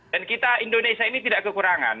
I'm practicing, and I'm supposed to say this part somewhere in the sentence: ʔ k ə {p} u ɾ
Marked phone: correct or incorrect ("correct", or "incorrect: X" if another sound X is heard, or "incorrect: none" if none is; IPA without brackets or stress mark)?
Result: incorrect: k